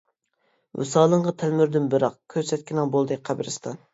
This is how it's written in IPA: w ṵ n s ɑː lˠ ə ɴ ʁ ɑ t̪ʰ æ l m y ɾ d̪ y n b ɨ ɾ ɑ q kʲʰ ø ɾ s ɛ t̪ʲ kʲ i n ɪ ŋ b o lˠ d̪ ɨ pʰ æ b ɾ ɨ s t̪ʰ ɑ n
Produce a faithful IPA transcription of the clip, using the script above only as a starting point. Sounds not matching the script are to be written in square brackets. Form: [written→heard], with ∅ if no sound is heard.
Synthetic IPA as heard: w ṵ [n→∅] s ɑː lˠ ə ɴ ʁ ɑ t̪ʰ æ l m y ɾ d̪ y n b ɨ ɾ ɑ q kʲʰ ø ɾ s ɛ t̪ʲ kʲ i n ɪ ŋ b o lˠ d̪ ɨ [pʰ→qʰ] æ b ɾ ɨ s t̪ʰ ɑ n